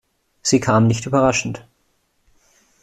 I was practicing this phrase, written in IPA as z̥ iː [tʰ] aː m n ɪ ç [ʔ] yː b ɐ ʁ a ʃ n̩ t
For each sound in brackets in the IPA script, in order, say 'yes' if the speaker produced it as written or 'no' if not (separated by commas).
no, no